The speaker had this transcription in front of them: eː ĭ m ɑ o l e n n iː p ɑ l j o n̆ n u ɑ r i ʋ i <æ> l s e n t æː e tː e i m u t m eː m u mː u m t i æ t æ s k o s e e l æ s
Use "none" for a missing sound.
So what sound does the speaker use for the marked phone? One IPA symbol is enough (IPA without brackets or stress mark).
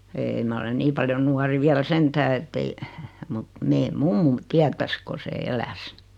æ